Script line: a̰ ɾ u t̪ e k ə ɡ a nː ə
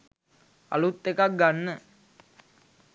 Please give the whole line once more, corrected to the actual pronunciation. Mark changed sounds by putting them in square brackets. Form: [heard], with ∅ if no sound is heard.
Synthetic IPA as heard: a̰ [l] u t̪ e k [a] ɡ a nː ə